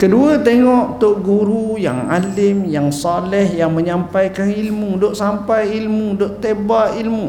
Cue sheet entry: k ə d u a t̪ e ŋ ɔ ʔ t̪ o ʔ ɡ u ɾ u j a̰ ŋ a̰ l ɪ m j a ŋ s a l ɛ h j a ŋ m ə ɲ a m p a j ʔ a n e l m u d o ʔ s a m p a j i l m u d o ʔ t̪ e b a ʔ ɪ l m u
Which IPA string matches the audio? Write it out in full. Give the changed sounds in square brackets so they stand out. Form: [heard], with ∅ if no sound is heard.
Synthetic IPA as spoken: k ə d u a t̪ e ŋ ɔ ʔ t̪ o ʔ ɡ u ɾ u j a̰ ŋ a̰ l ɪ m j a ŋ s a l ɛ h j a ŋ m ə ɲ a m p a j [k] a n [i] l m u d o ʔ s a m p a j i l m u d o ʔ t̪ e b a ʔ [i] l m u